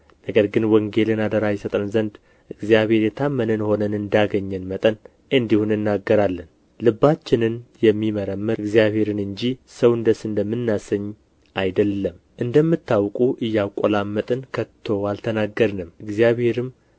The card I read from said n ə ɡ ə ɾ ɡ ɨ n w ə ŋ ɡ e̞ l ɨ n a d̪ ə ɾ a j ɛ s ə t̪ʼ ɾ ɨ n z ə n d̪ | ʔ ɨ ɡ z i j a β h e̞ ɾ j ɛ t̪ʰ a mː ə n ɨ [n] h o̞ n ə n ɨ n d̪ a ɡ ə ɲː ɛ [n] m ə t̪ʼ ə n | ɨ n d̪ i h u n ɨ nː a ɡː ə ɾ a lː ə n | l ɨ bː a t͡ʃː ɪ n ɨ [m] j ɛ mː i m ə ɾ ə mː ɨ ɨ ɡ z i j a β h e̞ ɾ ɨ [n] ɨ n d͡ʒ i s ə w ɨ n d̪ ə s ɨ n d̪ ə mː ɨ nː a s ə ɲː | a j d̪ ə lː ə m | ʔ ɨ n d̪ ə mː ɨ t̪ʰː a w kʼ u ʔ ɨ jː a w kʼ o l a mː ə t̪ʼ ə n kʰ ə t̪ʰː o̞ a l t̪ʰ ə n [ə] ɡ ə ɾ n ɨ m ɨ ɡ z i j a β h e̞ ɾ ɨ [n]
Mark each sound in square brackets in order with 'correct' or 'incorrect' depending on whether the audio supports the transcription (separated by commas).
correct, correct, incorrect, correct, incorrect, incorrect